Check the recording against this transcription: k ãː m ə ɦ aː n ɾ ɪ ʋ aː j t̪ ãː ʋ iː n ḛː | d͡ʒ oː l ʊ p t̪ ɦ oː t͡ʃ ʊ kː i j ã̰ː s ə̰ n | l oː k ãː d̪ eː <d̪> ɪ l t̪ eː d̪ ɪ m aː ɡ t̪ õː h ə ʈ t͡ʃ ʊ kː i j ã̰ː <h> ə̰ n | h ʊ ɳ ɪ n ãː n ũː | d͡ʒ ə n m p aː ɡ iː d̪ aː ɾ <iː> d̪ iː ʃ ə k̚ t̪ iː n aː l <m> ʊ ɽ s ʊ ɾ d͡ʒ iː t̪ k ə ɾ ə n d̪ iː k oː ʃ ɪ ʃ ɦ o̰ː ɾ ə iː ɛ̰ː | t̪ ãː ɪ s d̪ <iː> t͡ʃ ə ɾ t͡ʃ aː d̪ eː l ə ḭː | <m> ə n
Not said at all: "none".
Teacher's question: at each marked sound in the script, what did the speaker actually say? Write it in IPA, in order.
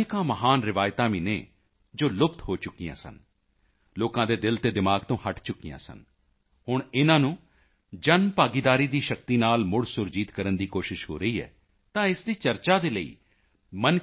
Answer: d̪, s, iː, m, iː, m

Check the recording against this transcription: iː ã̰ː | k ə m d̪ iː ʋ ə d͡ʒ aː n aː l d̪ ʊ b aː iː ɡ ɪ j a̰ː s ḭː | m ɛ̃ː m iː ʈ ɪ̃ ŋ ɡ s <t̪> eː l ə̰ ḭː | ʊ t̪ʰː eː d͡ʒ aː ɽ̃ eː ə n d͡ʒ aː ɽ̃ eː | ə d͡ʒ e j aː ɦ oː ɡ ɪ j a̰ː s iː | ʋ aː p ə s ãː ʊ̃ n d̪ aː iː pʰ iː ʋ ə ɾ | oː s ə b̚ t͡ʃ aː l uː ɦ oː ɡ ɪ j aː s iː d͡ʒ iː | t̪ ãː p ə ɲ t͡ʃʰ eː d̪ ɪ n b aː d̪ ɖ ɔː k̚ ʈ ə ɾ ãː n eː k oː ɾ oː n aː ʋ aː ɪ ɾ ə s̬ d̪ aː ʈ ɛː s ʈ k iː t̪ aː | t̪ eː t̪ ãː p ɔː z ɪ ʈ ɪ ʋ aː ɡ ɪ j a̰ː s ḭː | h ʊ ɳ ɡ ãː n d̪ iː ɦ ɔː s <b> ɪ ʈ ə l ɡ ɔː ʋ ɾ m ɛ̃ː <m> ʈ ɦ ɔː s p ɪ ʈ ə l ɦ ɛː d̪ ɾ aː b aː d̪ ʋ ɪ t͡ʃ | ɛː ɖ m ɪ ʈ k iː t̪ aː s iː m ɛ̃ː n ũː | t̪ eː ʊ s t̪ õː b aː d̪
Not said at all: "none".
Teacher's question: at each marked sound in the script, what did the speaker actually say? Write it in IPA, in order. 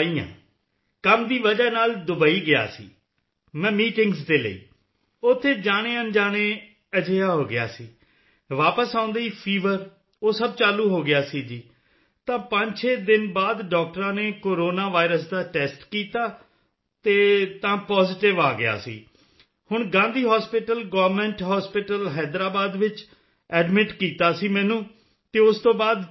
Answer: d̪, p, ɳ

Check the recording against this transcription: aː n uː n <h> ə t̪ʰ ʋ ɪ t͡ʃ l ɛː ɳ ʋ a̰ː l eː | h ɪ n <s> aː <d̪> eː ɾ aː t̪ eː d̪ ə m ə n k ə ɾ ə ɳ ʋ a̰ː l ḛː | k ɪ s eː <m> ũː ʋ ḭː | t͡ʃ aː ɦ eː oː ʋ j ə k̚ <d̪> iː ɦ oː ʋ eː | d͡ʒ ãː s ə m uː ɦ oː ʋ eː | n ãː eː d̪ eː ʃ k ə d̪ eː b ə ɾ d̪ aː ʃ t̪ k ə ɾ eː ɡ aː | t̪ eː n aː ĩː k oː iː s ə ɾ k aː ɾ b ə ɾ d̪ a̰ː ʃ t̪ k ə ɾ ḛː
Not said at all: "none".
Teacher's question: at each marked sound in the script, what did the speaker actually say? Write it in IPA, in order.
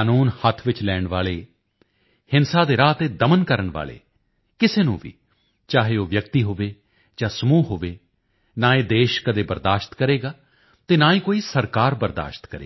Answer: h, s, d̪, n, t̪

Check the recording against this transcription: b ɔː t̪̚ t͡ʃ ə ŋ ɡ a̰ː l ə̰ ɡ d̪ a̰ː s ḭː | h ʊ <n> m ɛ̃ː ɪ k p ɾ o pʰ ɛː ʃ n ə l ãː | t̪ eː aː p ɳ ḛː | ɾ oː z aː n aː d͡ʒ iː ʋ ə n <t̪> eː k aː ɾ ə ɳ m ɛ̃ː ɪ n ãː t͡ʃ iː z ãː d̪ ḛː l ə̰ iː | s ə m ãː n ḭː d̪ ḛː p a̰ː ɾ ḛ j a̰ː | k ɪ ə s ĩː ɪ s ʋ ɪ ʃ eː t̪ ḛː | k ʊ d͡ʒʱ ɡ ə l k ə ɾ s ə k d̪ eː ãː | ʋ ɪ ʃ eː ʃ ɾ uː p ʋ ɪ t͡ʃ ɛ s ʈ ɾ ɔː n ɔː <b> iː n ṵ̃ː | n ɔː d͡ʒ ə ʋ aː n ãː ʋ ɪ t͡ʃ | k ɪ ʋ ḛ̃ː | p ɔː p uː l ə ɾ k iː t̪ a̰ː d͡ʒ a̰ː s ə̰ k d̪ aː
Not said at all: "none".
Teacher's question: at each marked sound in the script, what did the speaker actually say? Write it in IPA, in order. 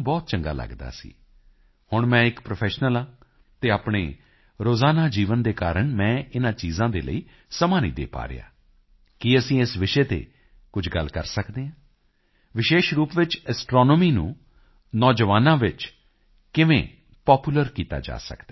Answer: ɳ, d̪, m

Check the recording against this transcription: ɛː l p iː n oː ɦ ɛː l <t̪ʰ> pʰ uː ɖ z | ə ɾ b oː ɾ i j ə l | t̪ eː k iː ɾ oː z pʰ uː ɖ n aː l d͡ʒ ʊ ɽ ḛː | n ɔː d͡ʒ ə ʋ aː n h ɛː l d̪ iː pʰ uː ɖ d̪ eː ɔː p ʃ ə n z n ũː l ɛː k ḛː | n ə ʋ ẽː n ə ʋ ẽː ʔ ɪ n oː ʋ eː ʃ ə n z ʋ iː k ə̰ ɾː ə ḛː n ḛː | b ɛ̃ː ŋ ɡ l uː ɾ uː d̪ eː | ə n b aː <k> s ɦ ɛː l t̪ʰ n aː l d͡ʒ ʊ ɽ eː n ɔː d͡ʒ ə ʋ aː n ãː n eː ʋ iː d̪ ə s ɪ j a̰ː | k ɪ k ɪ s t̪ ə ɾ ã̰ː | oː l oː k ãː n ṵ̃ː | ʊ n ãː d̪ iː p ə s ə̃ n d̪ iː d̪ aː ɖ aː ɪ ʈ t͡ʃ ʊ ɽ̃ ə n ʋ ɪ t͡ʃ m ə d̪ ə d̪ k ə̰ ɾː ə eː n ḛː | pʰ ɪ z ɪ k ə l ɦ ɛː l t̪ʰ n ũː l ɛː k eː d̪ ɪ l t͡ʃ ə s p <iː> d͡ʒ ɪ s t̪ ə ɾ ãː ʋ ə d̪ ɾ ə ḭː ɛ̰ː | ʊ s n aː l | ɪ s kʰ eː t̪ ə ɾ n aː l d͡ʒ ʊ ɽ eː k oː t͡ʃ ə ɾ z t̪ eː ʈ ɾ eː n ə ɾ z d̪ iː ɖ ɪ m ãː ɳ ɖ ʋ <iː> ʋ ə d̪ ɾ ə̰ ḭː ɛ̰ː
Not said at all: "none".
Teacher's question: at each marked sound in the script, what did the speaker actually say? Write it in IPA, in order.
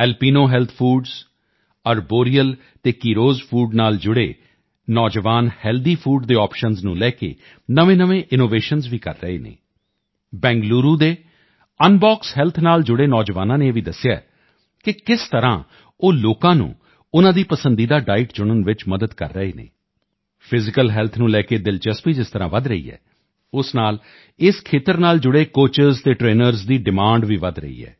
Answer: t̪ʰ, k, iː, iː

